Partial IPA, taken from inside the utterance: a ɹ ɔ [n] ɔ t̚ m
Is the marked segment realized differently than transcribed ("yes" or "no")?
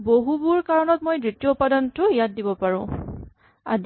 no